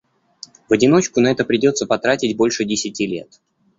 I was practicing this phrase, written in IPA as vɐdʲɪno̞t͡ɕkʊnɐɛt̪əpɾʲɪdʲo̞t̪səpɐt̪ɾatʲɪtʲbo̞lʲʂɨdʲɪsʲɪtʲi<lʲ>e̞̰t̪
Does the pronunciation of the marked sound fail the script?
no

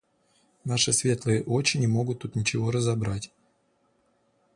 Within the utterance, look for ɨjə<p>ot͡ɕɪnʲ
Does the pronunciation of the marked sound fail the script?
yes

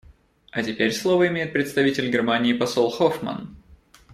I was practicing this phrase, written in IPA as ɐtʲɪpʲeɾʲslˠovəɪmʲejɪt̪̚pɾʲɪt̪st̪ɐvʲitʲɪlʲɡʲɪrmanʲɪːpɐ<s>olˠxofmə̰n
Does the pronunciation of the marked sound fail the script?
no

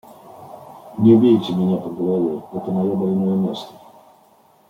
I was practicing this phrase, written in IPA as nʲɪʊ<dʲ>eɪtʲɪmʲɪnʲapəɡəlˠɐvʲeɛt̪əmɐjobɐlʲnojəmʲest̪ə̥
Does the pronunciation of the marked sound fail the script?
yes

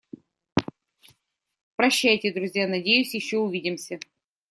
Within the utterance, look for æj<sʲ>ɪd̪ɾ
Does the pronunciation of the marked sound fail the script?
yes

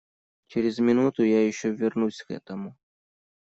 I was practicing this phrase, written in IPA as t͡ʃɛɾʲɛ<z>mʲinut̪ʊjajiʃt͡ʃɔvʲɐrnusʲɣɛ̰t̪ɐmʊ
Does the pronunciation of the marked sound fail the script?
no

